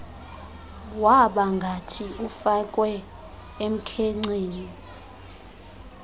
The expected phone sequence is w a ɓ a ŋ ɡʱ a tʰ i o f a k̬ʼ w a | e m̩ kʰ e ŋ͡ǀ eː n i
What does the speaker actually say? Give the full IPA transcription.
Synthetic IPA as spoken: w a ɓ a ŋ ɡʱ a tʰ i u f a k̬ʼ w ɛ | e m̩ kʰ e ŋ͡ǀ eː n i